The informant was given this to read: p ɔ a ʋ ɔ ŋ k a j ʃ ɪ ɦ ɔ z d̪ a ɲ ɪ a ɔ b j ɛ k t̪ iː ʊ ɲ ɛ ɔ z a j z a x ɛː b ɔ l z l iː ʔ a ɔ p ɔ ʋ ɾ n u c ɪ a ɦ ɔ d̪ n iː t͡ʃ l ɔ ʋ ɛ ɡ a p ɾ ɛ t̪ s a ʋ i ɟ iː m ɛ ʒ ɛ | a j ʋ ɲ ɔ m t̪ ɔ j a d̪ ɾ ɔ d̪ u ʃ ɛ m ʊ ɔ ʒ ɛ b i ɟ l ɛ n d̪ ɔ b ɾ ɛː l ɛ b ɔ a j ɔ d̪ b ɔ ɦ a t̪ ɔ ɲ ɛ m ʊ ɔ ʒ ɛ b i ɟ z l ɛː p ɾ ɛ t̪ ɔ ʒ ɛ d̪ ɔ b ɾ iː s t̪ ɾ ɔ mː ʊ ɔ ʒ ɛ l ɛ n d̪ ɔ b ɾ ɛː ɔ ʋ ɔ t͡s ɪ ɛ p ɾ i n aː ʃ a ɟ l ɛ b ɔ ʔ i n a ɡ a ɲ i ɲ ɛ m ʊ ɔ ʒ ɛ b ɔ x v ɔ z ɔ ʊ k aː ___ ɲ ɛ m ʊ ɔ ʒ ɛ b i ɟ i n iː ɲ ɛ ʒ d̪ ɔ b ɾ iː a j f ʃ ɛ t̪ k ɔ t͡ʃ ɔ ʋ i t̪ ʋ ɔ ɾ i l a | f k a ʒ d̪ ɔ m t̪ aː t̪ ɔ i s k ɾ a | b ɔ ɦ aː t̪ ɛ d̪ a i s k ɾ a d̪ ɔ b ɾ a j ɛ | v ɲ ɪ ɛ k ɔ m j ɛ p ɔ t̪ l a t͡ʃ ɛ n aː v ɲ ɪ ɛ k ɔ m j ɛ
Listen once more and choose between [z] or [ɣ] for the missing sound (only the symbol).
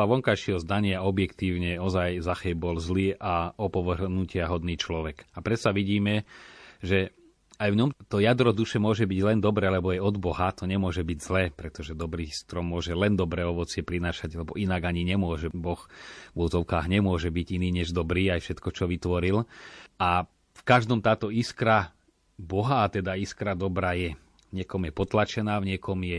ɣ